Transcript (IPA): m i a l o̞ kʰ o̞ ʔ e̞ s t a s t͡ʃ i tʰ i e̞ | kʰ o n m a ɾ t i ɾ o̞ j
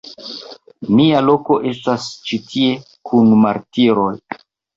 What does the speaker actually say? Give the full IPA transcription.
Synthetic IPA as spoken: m i a l o̞ k o̞ ʔ e̞ s t a s t͡ʃ i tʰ i e̞ | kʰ u n m a ɾ t i ɾ o̞ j